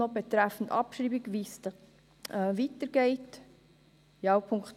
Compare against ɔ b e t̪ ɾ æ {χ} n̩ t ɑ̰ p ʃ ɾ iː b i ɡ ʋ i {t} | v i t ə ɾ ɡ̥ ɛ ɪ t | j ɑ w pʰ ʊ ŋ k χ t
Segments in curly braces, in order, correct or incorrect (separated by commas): incorrect, incorrect